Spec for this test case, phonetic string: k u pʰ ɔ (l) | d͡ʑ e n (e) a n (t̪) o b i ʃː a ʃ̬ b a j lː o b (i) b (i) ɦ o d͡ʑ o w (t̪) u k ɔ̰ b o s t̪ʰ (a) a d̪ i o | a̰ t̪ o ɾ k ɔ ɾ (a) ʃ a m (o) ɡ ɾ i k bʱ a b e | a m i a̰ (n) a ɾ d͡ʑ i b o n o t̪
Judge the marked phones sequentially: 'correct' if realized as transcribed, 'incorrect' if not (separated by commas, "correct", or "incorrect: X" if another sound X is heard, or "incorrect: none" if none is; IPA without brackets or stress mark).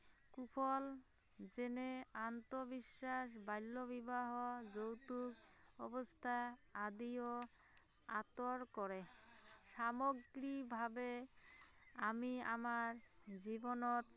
correct, correct, correct, correct, incorrect: a, correct, correct, incorrect: e, correct, incorrect: m